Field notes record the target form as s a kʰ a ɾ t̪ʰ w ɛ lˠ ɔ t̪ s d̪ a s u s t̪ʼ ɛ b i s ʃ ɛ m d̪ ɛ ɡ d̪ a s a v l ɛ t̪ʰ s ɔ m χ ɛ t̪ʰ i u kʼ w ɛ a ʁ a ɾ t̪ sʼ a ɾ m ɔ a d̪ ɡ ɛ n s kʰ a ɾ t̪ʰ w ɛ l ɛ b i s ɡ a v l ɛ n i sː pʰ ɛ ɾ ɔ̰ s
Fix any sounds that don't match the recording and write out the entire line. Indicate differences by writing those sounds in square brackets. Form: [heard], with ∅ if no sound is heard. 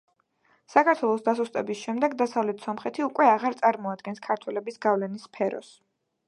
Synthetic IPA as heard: s a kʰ a ɾ t̪ʰ w ɛ lˠ ɔ [∅] s d̪ a s u s t̪ʼ ɛ b i s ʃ ɛ m d̪ ɛ ɡ d̪ a s a v l ɛ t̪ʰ s ɔ m χ ɛ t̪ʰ i u kʼ w ɛ a ʁ a ɾ t̪ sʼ a ɾ m ɔ a d̪ ɡ ɛ n s kʰ a ɾ t̪ʰ w ɛ l ɛ b i s ɡ a v l ɛ n i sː pʰ ɛ ɾ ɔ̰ s